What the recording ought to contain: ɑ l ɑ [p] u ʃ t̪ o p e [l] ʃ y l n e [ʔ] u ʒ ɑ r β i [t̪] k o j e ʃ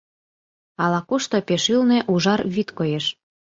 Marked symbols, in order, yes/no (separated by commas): no, no, yes, yes